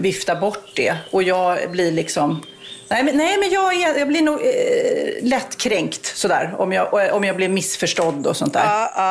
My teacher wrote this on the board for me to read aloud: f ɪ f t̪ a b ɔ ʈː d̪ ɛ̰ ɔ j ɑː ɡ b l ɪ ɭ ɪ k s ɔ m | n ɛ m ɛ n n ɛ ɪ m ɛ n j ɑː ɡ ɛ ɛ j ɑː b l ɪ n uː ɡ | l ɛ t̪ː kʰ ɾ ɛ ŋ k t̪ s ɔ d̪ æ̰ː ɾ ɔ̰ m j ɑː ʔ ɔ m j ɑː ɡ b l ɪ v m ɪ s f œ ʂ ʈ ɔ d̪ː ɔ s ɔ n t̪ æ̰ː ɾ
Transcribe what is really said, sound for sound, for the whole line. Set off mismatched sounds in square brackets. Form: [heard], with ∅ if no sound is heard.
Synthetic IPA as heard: [v] ɪ f t̪ a b ɔ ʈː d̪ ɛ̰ ɔ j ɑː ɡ b l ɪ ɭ ɪ k s ɔ m | n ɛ m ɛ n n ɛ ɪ m ɛ n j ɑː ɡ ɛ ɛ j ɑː b l ɪ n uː ɡ | l ɛ t̪ː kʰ ɾ ɛ ŋ k t̪ s ɔ d̪ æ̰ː ɾ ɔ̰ m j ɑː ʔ ɔ m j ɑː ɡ b l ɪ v m ɪ s f œ ʂ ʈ ɔ d̪ː ɔ s ɔ n t̪ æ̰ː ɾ